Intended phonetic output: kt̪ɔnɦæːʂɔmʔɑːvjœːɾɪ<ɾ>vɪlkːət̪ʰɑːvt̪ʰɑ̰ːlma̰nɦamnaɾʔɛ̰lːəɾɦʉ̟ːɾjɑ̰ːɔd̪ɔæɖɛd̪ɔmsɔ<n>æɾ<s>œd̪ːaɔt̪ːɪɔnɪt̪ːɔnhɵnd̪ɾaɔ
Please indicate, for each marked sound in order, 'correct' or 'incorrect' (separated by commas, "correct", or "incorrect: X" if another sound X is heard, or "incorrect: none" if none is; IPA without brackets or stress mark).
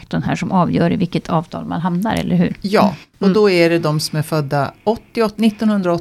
incorrect: none, incorrect: m, incorrect: f